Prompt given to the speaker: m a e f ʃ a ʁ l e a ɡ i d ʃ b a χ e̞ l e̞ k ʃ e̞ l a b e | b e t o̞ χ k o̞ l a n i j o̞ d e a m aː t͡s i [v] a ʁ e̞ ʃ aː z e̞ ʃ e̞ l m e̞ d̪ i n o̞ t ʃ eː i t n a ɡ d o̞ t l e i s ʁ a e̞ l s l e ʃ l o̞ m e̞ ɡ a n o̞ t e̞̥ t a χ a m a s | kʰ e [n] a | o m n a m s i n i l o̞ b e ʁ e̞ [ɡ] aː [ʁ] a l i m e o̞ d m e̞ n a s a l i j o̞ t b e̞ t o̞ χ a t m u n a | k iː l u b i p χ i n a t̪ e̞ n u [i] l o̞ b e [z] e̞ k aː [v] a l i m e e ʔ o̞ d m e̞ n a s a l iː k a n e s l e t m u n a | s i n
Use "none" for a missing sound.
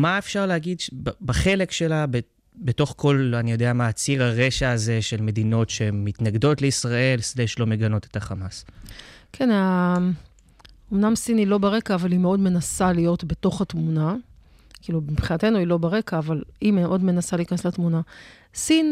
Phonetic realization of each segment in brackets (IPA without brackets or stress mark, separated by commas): ʁ, n, k, v, i, ʁ, v